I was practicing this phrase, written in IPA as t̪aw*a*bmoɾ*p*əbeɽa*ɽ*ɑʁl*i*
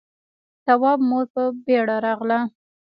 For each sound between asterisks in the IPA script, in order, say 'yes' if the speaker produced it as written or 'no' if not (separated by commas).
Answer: no, yes, no, no